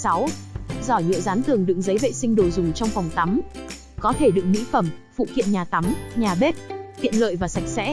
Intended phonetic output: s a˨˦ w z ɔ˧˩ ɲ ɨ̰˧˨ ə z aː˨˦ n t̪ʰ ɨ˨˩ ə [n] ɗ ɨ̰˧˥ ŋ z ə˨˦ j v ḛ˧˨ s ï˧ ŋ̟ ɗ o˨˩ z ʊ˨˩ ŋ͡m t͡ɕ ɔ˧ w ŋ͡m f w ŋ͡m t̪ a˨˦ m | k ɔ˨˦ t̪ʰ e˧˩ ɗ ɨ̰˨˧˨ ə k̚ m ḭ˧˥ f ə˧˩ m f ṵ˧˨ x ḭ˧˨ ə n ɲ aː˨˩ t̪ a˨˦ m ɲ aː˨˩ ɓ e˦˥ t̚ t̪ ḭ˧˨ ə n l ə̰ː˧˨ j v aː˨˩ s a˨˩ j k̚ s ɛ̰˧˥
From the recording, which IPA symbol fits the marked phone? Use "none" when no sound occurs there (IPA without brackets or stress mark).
ŋ